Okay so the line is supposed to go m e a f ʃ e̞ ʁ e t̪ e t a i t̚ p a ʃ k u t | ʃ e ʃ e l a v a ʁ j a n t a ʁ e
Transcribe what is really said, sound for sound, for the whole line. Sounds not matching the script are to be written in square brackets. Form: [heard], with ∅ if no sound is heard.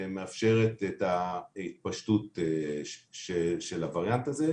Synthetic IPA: m e a f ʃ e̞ ʁ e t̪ e t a i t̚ p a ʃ [t] u t | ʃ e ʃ e l a v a ʁ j a n t a [z] e